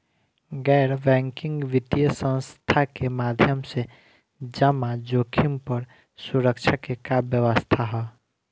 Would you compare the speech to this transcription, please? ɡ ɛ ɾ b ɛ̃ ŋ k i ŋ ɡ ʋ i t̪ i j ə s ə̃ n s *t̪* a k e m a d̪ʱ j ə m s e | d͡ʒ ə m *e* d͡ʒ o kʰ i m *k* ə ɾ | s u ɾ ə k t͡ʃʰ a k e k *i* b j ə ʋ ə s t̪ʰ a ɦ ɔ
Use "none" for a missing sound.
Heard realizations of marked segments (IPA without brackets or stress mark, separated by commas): t̪ʰ, a, p, a